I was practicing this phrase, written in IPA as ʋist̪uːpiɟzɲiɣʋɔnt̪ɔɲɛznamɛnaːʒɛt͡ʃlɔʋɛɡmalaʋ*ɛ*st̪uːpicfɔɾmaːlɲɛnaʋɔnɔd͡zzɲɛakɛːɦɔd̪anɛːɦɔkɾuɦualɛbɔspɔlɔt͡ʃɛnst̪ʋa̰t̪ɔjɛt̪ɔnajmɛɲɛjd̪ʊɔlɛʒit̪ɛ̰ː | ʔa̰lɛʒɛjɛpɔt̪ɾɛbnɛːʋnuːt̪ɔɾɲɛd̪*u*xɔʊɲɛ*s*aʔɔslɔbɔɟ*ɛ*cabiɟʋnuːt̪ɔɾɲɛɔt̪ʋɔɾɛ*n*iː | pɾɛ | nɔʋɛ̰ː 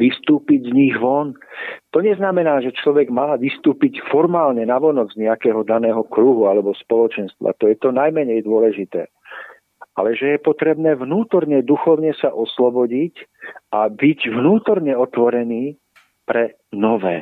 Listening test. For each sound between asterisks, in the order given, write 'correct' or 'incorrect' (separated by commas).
incorrect, correct, correct, incorrect, correct